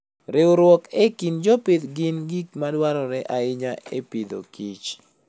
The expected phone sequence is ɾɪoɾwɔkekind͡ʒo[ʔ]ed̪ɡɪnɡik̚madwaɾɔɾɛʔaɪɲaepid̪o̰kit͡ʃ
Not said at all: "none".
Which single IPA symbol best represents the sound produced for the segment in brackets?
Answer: p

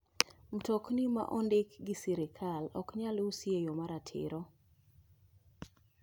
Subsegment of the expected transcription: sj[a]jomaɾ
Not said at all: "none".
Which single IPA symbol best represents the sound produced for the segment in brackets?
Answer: e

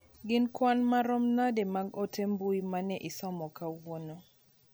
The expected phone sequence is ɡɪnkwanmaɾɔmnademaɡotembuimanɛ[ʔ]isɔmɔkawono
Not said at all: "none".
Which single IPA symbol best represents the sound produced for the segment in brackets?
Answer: ʔ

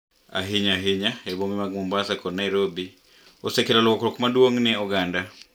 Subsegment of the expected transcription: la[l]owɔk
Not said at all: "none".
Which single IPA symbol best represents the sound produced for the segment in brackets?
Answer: l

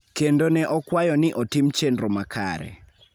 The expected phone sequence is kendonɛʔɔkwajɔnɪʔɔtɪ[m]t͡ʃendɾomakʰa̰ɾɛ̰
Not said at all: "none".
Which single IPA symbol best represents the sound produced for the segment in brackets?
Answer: m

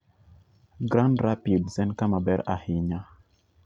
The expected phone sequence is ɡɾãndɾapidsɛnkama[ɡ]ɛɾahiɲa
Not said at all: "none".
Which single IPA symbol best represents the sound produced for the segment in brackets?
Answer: b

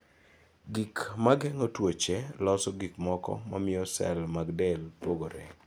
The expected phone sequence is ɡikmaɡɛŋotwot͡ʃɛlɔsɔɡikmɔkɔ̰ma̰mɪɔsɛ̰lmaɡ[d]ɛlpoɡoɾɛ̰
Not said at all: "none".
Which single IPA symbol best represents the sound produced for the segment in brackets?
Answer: d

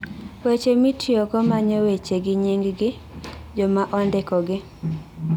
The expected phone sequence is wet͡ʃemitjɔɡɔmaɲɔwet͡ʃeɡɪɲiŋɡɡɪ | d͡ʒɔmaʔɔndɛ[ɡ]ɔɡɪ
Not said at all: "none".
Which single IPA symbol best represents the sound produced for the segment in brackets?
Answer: k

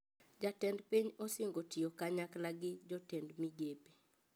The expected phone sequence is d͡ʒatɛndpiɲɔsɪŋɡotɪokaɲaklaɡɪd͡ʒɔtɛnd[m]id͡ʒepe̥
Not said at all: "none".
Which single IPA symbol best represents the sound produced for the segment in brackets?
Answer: m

